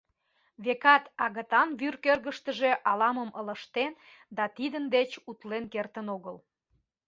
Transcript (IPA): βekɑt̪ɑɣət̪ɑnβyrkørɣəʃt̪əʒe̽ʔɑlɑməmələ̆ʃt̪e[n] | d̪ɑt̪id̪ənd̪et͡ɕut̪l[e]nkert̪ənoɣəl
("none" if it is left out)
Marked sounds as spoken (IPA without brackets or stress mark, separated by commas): n, e